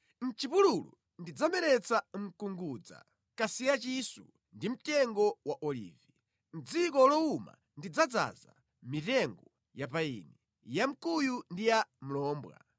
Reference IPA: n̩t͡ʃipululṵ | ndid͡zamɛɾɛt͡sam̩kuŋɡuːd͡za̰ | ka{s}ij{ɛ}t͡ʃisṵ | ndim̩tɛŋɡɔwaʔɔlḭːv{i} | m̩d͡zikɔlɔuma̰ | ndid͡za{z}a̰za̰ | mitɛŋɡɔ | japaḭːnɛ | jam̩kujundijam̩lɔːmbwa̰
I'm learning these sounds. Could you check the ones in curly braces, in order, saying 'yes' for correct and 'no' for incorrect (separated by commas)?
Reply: yes, no, yes, no